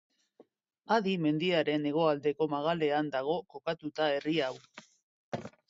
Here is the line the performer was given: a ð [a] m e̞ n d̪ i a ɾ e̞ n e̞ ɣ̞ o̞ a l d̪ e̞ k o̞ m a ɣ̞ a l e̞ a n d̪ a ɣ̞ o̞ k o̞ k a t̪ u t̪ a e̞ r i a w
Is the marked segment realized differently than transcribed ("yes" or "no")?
yes